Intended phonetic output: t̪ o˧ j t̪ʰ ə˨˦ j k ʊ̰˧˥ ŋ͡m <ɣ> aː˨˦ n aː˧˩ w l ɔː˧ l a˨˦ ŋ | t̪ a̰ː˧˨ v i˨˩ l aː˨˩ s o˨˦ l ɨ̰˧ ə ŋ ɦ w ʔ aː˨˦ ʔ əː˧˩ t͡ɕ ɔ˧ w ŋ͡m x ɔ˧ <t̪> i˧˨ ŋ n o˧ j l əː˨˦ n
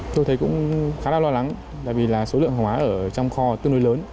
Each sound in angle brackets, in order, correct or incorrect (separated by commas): incorrect, correct